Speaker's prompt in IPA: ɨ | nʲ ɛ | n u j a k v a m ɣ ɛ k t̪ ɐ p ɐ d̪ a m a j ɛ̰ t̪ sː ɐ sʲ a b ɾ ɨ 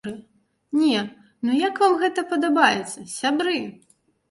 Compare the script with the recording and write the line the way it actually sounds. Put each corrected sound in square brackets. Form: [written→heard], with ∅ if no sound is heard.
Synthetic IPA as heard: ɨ | nʲ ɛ | n u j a k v a m ɣ ɛ [k→∅] t̪ ɐ p ɐ d̪ a [m→b] a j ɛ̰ t̪ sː ɐ sʲ a b ɾ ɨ